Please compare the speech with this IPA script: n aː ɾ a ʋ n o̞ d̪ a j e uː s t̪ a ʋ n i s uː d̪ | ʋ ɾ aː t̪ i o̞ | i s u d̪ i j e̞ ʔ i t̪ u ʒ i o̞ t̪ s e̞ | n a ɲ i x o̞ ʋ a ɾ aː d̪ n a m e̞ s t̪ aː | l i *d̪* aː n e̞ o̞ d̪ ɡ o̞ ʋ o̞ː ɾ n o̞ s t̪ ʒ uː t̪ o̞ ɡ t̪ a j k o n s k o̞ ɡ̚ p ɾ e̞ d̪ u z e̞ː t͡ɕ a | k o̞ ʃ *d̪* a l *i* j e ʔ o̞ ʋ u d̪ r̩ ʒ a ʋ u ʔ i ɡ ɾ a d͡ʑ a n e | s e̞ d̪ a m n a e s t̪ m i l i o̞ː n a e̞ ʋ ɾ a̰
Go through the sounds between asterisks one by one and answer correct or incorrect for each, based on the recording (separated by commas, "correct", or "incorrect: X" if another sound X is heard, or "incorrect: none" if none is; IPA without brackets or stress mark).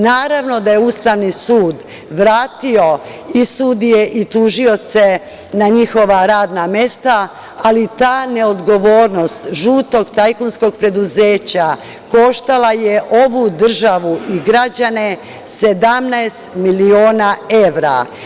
incorrect: t̪, incorrect: t̪, incorrect: a